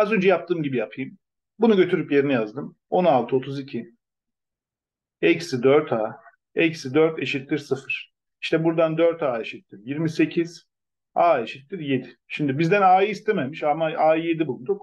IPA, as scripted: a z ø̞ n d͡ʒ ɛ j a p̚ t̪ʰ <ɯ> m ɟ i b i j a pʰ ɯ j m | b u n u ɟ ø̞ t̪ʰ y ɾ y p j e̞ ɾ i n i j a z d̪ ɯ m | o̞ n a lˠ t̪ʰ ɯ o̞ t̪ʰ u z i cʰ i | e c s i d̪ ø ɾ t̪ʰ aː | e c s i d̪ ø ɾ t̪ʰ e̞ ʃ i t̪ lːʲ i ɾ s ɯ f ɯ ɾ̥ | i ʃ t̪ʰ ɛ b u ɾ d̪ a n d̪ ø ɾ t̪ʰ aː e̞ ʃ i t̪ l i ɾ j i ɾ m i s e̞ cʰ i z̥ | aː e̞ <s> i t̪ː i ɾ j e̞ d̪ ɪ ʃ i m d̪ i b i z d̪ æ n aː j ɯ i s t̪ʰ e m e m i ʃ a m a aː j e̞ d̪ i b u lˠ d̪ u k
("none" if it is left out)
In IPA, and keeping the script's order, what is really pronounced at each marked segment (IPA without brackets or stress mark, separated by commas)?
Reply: ɯː, ʃ